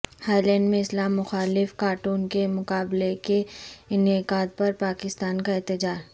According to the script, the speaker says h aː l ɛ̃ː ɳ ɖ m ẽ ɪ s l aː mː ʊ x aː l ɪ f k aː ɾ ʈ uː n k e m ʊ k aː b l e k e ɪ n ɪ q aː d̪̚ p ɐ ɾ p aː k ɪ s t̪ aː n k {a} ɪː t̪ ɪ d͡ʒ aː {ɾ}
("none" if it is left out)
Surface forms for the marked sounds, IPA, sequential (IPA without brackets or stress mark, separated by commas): a, ɾ